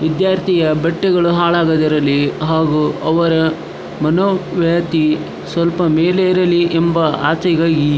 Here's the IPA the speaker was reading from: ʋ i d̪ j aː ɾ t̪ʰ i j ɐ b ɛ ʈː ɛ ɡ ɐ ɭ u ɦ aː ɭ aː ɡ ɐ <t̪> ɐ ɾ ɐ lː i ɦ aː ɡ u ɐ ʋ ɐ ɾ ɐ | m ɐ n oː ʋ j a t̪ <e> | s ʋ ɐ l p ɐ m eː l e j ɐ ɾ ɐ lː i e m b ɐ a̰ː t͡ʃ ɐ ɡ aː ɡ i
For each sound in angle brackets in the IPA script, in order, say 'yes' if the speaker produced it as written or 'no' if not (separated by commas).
no, no